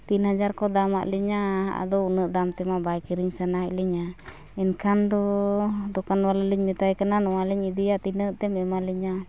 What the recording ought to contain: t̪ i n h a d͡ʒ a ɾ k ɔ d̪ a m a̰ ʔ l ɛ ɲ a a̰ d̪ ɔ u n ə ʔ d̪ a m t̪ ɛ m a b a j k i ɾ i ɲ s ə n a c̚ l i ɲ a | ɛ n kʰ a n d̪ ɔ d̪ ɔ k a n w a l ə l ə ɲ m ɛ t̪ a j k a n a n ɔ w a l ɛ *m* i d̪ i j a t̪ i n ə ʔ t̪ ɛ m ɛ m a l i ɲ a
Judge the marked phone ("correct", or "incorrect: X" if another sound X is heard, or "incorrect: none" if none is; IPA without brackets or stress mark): incorrect: ɲ